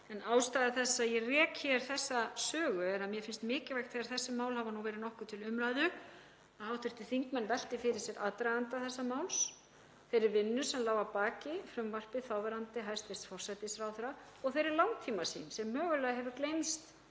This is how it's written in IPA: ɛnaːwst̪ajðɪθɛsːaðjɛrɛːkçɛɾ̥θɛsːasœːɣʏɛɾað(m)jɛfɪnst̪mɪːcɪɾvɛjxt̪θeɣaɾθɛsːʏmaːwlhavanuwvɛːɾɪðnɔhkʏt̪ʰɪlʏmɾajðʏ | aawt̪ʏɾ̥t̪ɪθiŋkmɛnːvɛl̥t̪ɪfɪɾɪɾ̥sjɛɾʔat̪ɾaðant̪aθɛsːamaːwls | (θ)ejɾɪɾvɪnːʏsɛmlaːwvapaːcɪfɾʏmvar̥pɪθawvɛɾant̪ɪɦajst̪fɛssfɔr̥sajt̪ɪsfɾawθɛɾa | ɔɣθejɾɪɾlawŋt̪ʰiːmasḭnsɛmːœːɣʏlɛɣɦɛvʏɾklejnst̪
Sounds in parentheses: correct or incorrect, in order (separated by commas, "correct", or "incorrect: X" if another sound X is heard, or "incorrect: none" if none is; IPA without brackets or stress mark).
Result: correct, correct